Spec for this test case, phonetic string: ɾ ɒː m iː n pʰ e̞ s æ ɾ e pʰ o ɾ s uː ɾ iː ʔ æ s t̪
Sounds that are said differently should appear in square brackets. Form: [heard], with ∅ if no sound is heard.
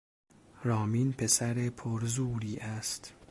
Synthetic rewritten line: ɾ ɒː m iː n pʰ e̞ s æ ɾ e pʰ o ɾ [z] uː ɾ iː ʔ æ s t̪